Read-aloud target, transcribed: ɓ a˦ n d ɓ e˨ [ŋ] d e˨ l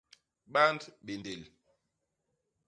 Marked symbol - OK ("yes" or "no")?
no